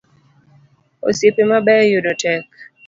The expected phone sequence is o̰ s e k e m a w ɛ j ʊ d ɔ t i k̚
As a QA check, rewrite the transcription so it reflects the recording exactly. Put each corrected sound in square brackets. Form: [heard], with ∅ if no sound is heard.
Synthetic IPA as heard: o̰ s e [p] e m a [b] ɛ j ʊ d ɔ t [ɛ] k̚